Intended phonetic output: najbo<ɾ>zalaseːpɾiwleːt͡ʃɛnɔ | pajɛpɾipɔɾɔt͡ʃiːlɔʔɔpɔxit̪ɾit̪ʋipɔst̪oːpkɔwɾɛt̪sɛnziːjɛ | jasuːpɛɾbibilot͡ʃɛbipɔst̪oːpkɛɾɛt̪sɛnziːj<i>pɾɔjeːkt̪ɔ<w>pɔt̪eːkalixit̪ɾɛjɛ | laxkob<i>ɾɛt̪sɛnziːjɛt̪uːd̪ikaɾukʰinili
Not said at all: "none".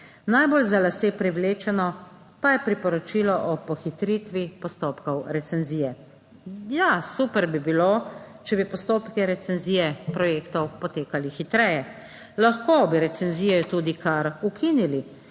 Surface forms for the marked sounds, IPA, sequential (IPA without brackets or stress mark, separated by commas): l, ɛ, w, i